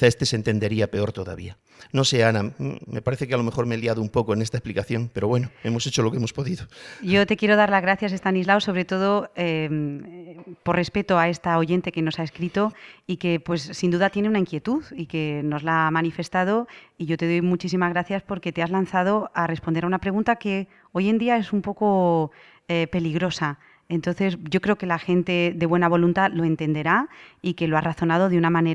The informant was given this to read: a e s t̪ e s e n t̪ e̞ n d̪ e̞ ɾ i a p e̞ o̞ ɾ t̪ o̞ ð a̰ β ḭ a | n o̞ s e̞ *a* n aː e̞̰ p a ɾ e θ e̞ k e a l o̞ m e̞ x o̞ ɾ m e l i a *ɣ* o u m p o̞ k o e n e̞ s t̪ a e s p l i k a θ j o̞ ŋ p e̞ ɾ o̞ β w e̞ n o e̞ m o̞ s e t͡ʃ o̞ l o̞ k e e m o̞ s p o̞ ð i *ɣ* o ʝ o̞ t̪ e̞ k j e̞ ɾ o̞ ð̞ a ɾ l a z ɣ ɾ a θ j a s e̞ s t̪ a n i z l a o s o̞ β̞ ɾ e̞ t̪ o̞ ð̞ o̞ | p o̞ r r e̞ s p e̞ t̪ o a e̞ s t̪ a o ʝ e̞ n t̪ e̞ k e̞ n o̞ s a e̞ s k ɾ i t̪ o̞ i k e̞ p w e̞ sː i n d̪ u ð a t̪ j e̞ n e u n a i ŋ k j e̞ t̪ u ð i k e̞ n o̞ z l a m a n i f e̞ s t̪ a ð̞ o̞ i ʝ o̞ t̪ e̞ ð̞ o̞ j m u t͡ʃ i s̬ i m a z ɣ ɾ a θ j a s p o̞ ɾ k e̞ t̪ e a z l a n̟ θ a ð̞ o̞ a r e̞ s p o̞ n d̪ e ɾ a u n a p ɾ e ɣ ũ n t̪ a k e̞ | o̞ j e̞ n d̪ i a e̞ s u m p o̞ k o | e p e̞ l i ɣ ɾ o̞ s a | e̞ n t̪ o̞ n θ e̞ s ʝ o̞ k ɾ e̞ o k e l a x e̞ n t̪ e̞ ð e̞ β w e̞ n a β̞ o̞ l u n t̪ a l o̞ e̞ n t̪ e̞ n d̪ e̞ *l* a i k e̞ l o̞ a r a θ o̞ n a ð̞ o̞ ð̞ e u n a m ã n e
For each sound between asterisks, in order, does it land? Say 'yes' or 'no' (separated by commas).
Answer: yes, no, no, no